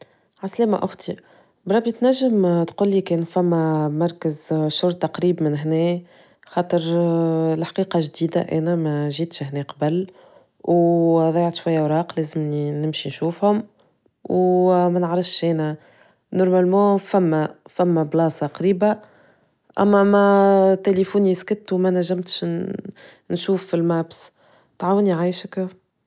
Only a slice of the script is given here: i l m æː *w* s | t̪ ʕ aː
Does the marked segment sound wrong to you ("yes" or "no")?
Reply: yes